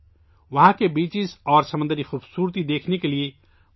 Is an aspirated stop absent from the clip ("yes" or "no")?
no